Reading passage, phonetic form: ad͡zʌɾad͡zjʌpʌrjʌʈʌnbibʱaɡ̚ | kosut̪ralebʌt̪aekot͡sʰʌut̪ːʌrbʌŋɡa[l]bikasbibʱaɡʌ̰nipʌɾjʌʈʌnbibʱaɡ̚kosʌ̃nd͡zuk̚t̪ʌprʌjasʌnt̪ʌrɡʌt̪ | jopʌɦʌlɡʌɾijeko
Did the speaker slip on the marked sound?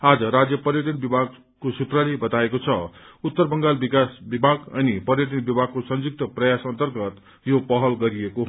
no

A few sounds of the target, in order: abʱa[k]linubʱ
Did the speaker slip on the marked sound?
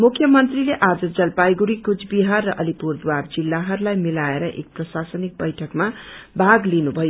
yes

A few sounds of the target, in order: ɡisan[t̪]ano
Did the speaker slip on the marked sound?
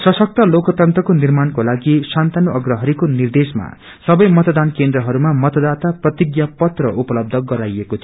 no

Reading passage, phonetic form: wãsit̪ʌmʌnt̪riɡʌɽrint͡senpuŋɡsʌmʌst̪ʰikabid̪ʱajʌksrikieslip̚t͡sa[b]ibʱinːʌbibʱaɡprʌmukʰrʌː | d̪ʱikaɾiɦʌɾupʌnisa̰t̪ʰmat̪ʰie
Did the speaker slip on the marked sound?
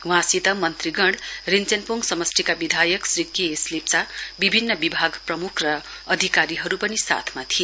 no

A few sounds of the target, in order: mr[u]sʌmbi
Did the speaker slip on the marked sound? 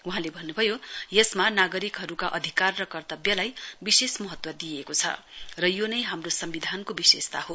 yes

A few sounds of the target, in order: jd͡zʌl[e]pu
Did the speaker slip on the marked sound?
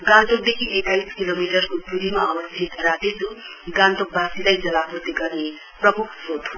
yes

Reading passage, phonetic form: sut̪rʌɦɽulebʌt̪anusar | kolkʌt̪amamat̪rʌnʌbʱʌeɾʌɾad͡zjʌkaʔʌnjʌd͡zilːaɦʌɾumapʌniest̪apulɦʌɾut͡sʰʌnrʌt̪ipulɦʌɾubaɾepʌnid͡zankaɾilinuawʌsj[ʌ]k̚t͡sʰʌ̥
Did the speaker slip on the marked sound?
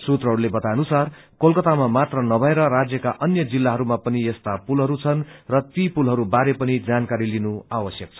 no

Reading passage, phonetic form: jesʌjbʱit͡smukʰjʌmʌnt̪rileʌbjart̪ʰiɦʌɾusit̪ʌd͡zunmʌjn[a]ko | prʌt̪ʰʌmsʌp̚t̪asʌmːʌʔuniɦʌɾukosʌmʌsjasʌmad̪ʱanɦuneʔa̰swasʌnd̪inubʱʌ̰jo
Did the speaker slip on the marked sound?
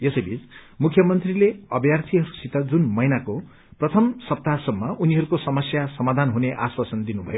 no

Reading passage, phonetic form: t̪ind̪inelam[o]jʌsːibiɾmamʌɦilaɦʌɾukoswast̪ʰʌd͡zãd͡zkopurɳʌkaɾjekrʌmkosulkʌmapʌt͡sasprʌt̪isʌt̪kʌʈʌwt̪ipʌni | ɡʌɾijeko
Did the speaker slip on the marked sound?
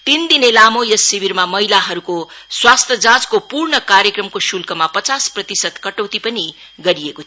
no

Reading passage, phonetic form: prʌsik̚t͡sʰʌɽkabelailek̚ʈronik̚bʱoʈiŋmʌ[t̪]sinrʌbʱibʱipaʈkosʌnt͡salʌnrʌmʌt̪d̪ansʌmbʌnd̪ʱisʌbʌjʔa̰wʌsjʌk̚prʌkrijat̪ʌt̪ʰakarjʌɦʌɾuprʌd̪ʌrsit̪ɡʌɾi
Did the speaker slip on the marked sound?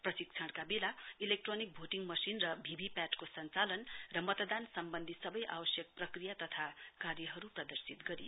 yes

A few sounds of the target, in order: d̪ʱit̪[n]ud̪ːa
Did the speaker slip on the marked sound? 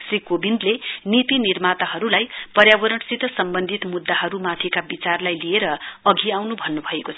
yes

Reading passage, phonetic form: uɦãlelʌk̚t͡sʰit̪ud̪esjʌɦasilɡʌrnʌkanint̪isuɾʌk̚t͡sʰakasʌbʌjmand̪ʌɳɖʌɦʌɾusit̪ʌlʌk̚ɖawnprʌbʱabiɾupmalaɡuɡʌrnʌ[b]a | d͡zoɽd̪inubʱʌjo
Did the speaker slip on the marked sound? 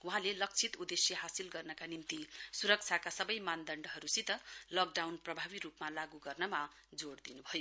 yes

